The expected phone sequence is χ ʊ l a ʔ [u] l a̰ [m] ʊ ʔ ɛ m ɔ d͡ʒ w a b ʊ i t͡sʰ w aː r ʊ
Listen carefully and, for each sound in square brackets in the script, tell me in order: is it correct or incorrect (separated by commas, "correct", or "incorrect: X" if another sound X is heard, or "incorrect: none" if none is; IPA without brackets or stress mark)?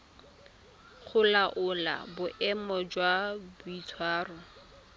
incorrect: ʊ, incorrect: b